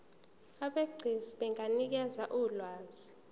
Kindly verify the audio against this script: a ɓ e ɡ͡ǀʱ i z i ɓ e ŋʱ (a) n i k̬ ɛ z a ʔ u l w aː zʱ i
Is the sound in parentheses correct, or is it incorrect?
correct